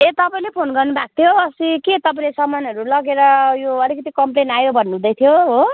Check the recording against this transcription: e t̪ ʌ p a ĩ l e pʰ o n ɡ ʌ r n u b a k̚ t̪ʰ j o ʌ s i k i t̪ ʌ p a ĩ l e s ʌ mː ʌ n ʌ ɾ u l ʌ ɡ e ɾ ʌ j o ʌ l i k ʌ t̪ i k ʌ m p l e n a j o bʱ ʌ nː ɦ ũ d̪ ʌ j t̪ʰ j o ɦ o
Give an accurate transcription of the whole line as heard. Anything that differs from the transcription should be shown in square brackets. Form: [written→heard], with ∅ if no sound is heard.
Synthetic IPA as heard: e t̪ ʌ p a ĩ l e pʰ o n ɡ ʌ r n u b a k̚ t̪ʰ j o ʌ s i k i t̪ ʌ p a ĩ l e s ʌ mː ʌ n ʌ ɾ u l ʌ ɡ e ɾ ʌ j o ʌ l i k ʌ t̪ i k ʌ m p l e n a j o bʱ ʌ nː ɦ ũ d̪ ʌ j t̪ʰ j o ɦ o